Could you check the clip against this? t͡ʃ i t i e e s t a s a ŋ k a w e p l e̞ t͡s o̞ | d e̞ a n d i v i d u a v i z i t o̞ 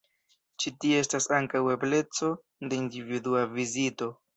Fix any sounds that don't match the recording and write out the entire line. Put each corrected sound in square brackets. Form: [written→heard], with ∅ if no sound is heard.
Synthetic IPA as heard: t͡ʃ i t i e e s t a s a ŋ k a w e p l e̞ t͡s o̞ | d e̞ [a→i] n d i v i d u a v i z i t o̞